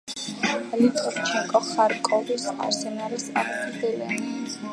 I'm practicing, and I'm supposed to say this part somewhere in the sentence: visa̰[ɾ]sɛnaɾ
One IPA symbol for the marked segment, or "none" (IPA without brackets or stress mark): ɾ